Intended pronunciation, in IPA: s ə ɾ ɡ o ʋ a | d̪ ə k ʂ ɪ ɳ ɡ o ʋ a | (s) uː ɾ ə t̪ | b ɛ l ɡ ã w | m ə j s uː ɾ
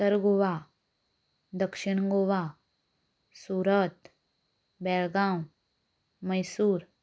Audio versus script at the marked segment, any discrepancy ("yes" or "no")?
no